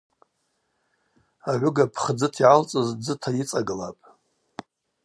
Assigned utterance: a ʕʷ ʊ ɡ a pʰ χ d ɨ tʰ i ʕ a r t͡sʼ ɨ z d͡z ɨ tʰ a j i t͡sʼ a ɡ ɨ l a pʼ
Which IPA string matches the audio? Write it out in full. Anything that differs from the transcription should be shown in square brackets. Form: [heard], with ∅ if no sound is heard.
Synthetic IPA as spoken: a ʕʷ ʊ ɡ a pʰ χ [d͡z] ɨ tʰ i ʕ a [l] t͡sʼ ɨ z d͡z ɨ tʰ a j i t͡sʼ a ɡ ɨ l a pʼ